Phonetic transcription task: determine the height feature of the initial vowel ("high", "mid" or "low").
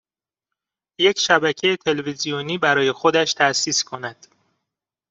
mid